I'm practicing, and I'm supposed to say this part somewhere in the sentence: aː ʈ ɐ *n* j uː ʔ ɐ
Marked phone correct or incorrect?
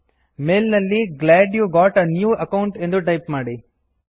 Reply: correct